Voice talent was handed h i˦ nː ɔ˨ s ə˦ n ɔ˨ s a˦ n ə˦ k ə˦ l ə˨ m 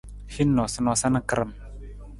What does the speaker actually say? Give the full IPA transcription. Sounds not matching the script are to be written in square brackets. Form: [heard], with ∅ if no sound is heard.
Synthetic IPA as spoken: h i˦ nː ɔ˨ s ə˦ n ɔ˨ s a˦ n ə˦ k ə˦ [ɾ] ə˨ m